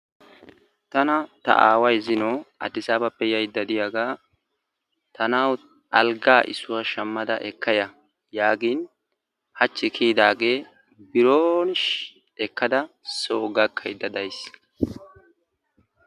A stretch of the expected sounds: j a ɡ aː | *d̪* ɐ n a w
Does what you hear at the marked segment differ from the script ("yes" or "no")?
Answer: yes